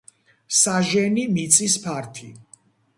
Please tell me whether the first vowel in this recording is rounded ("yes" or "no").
no